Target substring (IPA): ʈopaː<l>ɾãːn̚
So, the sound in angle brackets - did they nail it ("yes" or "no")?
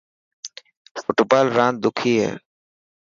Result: yes